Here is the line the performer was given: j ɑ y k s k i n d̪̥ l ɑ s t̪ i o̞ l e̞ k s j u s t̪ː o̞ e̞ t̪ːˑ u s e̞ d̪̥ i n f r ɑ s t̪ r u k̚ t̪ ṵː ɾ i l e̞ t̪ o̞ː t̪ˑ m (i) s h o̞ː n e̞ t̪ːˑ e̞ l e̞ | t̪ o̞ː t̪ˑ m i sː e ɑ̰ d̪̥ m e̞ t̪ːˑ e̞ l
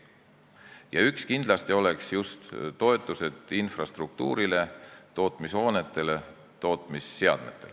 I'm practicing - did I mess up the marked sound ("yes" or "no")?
no